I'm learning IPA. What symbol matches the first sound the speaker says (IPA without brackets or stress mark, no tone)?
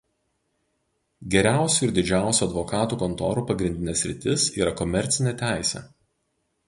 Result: ɡʲ